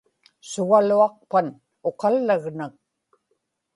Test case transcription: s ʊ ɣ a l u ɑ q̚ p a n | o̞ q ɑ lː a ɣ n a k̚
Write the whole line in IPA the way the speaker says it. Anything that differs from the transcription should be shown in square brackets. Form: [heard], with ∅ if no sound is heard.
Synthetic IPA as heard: s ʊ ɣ a l u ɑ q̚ p a n | o̞ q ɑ lː a ɣ n a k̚